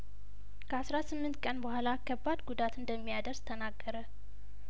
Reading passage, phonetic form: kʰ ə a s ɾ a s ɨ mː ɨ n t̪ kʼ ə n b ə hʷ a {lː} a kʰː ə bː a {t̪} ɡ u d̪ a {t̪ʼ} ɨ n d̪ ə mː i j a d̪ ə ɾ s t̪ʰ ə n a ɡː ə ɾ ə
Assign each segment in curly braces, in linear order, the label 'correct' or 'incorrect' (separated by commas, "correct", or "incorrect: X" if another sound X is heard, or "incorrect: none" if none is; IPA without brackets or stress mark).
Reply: incorrect: l, incorrect: d̪, incorrect: t̪